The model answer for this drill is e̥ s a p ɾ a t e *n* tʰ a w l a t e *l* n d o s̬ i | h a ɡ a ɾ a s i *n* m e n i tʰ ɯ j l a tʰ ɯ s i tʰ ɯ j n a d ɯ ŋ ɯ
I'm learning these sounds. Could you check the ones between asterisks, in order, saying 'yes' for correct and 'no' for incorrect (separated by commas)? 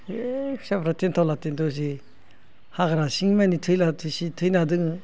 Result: yes, no, no